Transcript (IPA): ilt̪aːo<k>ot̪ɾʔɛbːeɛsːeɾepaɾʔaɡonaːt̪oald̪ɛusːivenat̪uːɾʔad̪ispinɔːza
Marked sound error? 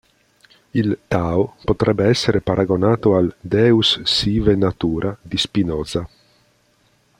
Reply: yes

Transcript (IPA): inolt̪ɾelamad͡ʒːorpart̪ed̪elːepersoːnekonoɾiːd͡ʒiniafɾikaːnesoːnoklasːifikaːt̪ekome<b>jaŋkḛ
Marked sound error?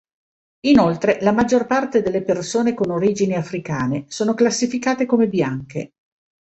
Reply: no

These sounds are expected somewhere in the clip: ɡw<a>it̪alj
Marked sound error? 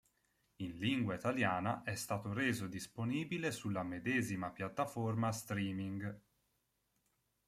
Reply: no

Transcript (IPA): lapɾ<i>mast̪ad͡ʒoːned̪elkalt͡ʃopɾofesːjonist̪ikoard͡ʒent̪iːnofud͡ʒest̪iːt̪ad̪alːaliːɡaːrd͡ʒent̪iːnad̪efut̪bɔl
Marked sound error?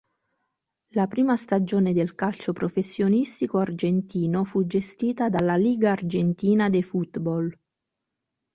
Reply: yes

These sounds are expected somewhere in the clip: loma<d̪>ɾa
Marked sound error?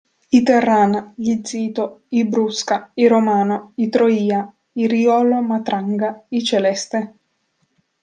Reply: yes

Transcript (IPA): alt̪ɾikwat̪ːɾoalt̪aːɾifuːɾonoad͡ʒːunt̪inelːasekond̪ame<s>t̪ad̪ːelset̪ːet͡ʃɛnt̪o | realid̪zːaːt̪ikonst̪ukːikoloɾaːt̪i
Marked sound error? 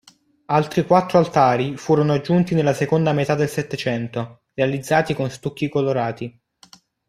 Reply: yes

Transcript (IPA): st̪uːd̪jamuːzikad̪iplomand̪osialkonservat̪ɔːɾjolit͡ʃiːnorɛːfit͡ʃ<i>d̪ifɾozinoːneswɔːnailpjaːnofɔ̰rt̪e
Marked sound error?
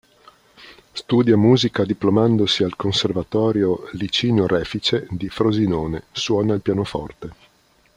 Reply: yes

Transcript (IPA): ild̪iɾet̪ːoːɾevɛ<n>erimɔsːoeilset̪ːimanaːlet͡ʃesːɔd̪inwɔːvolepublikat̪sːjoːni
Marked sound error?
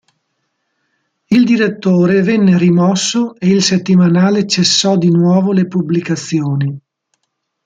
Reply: yes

